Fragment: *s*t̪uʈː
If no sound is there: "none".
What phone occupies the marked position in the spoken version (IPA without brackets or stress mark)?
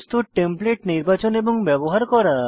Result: s